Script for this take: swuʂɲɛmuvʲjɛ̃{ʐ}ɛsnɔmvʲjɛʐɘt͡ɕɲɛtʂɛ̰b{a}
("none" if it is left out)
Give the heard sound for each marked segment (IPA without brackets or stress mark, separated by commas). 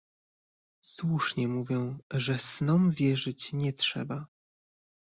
ʐ, a